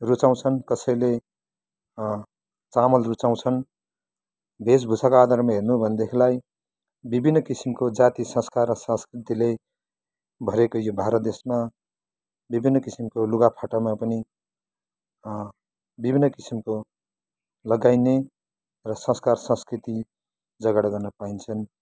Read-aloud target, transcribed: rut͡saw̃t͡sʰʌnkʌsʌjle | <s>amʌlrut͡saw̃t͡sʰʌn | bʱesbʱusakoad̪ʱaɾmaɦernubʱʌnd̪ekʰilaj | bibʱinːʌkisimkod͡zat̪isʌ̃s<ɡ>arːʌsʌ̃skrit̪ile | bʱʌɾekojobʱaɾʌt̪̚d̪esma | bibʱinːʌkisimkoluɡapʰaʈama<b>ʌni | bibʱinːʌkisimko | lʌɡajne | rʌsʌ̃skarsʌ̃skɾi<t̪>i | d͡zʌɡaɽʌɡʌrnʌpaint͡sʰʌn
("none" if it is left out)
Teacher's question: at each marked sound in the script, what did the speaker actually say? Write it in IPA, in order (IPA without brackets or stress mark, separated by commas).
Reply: t͡s, k, p, t̪